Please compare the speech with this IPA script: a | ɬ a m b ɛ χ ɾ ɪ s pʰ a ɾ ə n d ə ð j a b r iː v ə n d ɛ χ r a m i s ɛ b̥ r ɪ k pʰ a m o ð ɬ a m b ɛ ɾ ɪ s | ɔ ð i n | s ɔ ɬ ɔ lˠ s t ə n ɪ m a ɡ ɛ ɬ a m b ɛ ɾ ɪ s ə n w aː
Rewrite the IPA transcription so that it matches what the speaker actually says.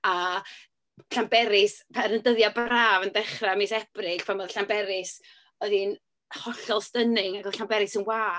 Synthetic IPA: a | ɬ a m b ɛ ɾ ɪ s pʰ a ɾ ə n d ə ð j a b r aː v ə n d ɛ χ r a m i s ɛ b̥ r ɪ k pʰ a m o ð ɬ a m b ɛ ɾ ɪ s | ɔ ð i n | h ɔ ɬ ɔ lˠ s t ə n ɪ ŋ a ɡ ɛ ɬ a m b ɛ ɾ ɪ s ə n w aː